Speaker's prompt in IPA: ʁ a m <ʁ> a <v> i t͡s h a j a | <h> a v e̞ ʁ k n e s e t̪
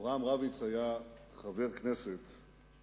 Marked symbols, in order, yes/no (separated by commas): yes, yes, no